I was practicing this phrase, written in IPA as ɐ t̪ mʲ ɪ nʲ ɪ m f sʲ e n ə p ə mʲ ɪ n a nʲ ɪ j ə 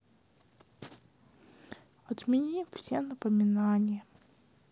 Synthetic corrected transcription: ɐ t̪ mʲ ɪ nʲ i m f sʲ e n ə p ə mʲ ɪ n a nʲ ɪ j ə